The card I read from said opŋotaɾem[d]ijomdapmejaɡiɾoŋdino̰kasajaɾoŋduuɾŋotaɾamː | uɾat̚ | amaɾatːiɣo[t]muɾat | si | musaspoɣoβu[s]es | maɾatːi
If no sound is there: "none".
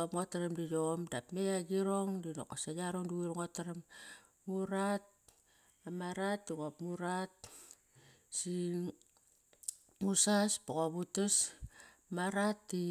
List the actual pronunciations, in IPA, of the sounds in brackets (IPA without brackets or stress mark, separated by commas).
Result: d, p, t